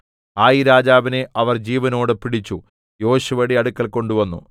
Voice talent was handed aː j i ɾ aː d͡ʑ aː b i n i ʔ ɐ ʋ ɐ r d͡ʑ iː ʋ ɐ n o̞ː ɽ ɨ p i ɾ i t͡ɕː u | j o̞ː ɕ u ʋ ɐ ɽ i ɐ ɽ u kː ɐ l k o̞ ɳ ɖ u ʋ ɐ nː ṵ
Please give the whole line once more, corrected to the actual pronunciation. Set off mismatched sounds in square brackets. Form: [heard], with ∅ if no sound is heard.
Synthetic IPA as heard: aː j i ɾ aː d͡ʑ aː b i n [e] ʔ ɐ ʋ ɐ r d͡ʑ iː ʋ ɐ n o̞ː ɽ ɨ p i [ɽ] i t͡ɕː u | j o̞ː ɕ u ʋ ɐ ɽ i ɐ ɽ u kː ɐ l k o̞ ɳ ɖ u ʋ ɐ nː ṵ